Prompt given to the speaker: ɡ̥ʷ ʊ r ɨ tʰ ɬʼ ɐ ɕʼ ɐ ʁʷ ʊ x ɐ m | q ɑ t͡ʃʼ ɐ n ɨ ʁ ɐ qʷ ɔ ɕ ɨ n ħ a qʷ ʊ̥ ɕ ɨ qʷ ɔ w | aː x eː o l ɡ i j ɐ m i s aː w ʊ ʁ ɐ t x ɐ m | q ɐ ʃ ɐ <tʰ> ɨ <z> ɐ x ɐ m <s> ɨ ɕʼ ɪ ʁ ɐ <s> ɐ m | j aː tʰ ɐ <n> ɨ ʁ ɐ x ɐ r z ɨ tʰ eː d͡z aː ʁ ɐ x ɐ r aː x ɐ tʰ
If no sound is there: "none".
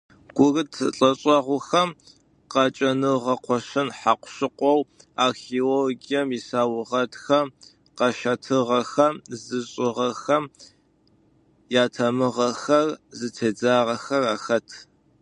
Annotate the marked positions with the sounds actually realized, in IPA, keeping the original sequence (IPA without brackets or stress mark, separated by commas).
tʰ, ʁ, z, x, m